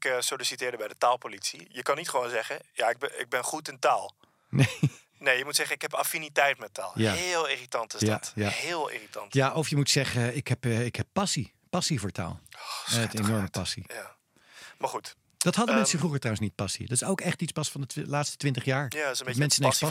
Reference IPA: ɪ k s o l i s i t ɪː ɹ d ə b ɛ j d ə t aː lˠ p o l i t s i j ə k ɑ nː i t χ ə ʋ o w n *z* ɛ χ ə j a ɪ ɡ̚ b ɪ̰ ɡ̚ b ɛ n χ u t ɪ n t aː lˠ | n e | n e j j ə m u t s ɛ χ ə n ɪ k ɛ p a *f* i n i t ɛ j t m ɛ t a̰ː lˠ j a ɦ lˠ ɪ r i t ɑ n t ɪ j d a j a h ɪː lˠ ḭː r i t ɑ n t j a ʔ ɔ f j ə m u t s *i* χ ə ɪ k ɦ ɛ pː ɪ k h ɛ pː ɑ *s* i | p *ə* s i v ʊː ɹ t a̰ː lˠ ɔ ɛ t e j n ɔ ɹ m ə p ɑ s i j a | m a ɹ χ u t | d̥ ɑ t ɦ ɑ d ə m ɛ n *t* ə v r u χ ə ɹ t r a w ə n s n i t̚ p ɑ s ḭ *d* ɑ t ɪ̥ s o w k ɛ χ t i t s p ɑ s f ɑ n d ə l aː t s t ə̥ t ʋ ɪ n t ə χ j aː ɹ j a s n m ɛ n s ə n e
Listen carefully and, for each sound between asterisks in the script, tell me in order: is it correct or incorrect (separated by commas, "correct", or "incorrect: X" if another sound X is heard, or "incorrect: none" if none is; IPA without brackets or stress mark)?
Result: correct, correct, incorrect: ɛ, correct, incorrect: ɑ, incorrect: s, correct